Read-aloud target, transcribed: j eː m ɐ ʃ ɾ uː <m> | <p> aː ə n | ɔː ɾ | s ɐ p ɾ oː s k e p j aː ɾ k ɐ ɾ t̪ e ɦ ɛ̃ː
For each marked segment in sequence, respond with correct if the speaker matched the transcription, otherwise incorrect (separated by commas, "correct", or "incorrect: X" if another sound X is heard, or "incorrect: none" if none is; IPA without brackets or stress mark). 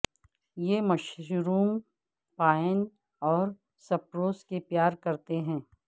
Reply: correct, correct